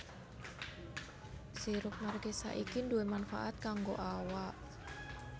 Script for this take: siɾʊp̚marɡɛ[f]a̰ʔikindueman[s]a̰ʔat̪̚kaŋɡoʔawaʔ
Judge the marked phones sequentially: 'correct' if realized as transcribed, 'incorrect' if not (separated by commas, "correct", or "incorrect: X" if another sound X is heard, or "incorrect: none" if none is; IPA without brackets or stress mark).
incorrect: s, incorrect: f